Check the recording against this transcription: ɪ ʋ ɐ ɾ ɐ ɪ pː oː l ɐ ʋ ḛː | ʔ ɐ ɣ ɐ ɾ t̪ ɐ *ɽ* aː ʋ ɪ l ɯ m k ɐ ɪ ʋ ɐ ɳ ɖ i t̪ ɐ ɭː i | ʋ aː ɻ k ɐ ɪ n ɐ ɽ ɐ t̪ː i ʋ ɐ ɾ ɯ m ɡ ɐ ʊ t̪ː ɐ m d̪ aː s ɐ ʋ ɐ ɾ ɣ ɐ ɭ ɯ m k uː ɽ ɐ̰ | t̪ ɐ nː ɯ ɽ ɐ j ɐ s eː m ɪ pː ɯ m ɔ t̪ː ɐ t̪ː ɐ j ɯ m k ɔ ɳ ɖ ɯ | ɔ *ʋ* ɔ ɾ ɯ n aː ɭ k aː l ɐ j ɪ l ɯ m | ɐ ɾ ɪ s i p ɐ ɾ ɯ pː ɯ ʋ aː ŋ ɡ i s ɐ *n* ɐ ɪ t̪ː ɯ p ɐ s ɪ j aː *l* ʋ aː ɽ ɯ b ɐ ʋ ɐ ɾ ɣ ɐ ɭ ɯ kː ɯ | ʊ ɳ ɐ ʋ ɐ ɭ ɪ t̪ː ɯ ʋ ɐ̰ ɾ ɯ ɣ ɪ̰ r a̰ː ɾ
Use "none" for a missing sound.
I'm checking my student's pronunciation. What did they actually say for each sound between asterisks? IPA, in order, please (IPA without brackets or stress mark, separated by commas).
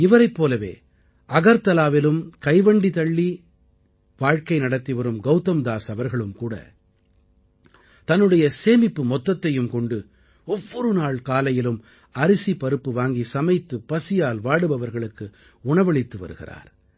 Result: l, ʋː, m, l